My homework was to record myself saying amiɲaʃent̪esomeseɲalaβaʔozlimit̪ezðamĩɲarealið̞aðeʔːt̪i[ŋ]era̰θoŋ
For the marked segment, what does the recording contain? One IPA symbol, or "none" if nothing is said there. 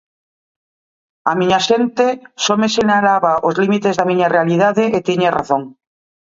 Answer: ɲ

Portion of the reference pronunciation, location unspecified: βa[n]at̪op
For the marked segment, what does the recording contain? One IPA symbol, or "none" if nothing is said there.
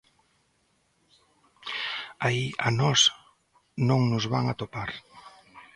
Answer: ŋ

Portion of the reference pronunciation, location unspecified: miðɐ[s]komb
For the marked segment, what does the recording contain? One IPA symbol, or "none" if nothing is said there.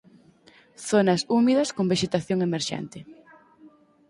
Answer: s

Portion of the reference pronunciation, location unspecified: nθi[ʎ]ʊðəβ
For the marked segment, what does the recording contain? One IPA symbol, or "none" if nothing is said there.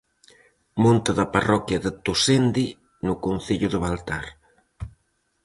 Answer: ʎ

